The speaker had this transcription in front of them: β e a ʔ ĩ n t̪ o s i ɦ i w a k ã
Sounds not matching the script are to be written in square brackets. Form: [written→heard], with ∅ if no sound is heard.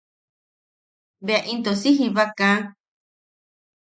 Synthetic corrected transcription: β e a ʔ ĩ n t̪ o s i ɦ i [w→β] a k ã